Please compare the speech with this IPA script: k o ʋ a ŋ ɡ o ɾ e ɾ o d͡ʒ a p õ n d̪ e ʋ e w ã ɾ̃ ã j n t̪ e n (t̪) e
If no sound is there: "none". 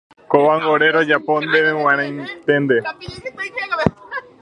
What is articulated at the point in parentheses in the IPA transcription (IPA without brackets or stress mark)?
d̪